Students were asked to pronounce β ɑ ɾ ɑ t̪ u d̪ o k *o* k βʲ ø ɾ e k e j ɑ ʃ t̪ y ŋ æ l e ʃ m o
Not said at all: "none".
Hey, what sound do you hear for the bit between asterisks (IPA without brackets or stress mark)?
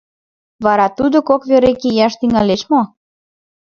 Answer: o